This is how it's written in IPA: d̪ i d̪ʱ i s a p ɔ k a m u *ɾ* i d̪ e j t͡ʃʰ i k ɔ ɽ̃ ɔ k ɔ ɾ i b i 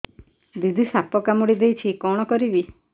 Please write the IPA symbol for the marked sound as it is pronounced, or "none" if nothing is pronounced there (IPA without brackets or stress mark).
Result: ɽ